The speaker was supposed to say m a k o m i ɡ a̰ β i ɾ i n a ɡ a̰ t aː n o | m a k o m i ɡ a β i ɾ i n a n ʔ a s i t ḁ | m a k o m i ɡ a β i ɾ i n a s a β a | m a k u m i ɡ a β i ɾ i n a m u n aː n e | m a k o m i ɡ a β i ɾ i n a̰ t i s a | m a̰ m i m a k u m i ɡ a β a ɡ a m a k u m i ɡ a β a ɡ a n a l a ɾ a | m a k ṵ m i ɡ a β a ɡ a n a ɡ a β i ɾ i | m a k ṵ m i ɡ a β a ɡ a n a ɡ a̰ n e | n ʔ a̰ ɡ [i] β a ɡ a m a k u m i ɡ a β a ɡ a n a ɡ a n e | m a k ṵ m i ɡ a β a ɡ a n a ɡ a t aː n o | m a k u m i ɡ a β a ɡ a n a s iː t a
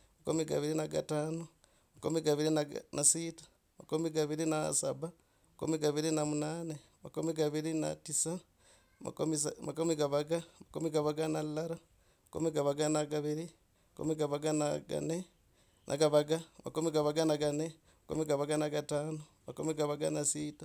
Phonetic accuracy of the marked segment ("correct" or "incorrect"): incorrect